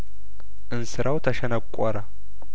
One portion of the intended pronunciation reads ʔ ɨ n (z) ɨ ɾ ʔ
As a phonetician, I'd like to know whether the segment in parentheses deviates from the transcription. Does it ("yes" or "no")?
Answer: yes